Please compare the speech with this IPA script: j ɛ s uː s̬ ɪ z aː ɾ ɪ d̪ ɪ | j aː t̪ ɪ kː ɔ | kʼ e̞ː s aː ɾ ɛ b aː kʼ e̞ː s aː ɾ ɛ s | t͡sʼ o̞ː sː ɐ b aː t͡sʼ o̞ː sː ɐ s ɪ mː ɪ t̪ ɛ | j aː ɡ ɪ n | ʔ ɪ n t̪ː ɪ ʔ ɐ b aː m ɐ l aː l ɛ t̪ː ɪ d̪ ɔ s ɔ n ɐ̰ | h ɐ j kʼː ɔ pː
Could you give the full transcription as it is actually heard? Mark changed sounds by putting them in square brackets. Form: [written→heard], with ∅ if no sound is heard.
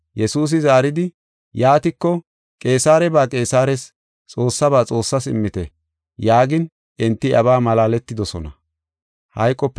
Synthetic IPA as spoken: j ɛ s uː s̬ ɪ z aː ɾ ɪ d̪ ɪ | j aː t̪ ɪ kː ɔ | kʼ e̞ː s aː ɾ ɛ b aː kʼ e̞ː s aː ɾ ɛ s | t͡sʼ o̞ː sː ɐ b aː t͡sʼ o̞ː sː ɐ s ɪ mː ɪ t̪ ɛ | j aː ɡ ɪ n | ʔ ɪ n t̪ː ɪ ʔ ɐ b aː m ɐ l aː l ɛ t̪ː ɪ d̪ ɔ s ɔ n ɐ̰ | h ɐ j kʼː ɔ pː

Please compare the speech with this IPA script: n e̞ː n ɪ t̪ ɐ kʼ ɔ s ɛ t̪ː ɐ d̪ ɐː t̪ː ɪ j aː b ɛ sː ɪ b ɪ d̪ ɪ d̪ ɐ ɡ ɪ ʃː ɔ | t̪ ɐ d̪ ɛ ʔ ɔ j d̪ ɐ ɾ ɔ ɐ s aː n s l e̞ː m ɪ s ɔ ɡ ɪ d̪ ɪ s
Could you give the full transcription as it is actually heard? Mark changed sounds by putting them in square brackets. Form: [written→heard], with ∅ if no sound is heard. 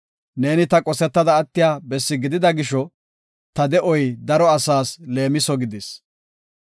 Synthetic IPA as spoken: n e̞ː n ɪ t̪ ɐ kʼ ɔ s ɛ t̪ː ɐ d̪ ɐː t̪ː ɪ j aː b ɛ sː ɪ [b→ɡ] ɪ d̪ ɪ d̪ ɐ ɡ ɪ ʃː ɔ | t̪ ɐ d̪ ɛ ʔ ɔ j d̪ ɐ ɾ ɔ ɐ s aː [n→∅] s l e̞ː m ɪ s ɔ ɡ ɪ d̪ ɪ s

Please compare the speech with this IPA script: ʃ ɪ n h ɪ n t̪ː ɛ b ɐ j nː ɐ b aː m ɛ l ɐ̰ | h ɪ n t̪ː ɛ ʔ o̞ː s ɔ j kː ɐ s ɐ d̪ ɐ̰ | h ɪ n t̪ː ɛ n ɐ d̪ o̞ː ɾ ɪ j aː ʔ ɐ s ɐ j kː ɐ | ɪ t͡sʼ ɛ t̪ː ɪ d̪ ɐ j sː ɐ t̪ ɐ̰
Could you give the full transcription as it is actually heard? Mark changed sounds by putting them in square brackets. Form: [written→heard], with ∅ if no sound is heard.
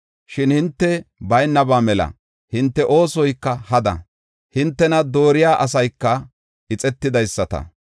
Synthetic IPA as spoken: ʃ ɪ n h ɪ n t̪ː ɛ b ɐ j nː ɐ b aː m ɛ l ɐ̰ | h ɪ n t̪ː ɛ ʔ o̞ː s ɔ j kː ɐ [s→h] ɐ d̪ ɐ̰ | h ɪ n t̪ː ɛ n ɐ d̪ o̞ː ɾ ɪ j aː ʔ ɐ s ɐ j kː ɐ | ɪ t͡sʼ ɛ t̪ː ɪ d̪ ɐ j sː ɐ t̪ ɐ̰

